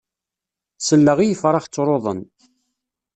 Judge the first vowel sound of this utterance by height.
mid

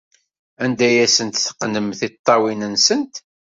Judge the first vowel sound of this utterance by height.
low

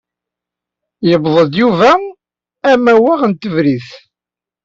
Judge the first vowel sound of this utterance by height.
mid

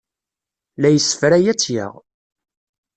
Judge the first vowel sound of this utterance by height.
low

